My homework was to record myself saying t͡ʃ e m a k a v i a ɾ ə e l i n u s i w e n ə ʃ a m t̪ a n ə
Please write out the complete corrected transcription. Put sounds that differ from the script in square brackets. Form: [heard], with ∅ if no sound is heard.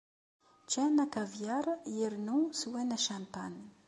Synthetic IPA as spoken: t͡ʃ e [n] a k a v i a ɾ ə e [ɾ] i n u s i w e n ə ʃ a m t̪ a n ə